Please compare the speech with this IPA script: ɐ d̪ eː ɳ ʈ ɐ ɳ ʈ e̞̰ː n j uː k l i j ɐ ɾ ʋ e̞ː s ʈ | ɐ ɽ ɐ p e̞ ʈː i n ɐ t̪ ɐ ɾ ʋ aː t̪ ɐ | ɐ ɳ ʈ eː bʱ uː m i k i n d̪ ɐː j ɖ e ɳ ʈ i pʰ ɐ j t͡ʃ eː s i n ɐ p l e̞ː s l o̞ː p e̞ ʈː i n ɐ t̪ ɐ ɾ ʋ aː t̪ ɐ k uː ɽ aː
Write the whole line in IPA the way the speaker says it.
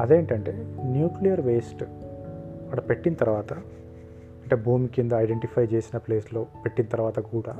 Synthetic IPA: ɐ d̪ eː ɳ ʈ ɐ ɳ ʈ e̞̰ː n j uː k l i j ɐ ɾ ʋ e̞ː s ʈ | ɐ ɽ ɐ p e̞ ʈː i n ɐ t̪ ɐ ɾ ʋ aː t̪ ɐ | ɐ ɳ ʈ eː bʱ uː m i k i n d̪ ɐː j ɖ e ɳ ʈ i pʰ ɐ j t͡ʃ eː s i n ɐ p l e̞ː s l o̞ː p e̞ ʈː i n ɐ t̪ ɐ ɾ ʋ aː t̪ ɐ k uː ɽ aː